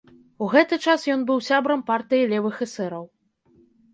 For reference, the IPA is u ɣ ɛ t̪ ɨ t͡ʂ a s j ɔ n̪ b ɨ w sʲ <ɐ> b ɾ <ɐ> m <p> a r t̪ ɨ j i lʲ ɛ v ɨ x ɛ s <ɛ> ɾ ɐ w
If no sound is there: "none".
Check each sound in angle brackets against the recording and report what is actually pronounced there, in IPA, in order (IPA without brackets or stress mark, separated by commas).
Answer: a, ɐ, p, ɛ